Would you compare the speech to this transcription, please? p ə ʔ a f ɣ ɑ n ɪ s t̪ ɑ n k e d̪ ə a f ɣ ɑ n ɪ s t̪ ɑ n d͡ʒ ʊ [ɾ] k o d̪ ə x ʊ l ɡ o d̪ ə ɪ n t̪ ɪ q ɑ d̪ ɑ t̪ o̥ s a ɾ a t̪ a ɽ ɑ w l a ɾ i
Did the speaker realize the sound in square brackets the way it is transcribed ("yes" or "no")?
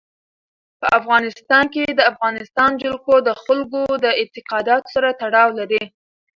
no